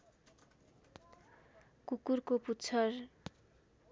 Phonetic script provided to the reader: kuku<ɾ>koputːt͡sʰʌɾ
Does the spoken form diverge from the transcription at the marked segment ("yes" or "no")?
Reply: no